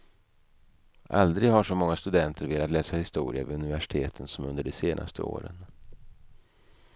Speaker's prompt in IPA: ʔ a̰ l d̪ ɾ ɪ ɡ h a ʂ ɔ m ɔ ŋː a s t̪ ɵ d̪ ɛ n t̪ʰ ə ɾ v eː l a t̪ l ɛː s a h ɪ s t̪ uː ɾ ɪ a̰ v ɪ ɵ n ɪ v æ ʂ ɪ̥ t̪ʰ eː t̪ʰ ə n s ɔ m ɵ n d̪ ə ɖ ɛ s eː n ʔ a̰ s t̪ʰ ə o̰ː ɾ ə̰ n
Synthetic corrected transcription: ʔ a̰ l d̪ ɾ ɪ ɡ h a ʂ ɔ m ɔ ŋː a s t̪ ɵ d̪ ɛ n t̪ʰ ə ɾ v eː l a t̪ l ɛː s a h ɪ s t̪ uː ɾ ɪ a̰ v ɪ ɵ n ɪ v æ ʂ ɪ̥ t̪ʰ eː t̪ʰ ə n s ɔ m ɵ n d̪ ə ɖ ɛ s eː n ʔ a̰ s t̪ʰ ə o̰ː ɾ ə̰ n